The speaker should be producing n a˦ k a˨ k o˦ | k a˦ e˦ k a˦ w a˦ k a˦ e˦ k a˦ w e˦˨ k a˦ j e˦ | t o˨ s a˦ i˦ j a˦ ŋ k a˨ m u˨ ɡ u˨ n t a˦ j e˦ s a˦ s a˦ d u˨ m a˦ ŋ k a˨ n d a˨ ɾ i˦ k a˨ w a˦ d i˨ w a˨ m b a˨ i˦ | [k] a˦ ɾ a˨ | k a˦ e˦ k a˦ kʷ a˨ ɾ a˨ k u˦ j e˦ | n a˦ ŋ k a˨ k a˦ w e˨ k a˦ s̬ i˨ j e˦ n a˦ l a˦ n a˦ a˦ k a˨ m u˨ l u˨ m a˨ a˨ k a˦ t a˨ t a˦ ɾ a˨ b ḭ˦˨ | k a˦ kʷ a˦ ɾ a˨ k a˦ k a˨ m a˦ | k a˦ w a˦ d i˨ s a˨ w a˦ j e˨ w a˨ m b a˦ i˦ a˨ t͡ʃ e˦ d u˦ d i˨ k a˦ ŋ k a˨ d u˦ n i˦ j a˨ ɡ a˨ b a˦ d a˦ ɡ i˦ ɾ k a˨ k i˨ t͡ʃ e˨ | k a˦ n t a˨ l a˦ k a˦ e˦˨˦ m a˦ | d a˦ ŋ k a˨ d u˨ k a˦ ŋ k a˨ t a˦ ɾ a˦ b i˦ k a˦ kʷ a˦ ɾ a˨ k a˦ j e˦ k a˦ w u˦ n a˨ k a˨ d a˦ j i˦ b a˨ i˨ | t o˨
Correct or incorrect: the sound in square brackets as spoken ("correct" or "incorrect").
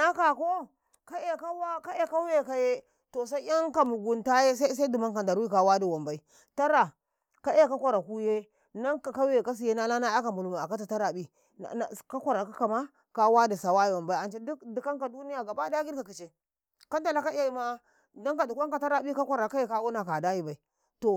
incorrect